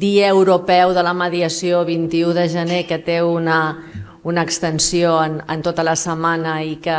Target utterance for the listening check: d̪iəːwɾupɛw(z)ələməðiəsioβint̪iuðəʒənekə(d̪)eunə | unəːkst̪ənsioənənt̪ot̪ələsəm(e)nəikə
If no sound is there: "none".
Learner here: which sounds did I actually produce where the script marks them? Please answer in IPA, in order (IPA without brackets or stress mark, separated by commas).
ð, t̪, a